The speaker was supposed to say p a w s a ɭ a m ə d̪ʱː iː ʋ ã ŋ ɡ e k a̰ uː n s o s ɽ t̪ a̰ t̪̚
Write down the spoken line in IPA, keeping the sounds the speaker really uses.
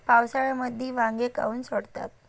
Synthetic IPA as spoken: p a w s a ɭ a m ə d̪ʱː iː ʋ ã ŋ ɡ e k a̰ uː n s o ɽ t̪ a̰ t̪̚